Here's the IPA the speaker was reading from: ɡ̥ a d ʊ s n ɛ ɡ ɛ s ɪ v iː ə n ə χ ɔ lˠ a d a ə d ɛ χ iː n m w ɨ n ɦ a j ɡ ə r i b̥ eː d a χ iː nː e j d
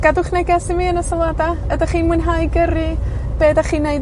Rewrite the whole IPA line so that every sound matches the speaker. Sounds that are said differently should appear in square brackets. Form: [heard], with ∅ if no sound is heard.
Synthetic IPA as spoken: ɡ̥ a d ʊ [χ] n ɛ ɡ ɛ s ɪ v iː ə n ə [s] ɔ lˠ a d a ə d [a] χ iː n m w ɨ n ɦ a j ɡ ə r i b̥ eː d a χ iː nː e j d